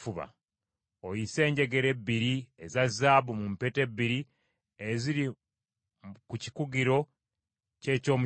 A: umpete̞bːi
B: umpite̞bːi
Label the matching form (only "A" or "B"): A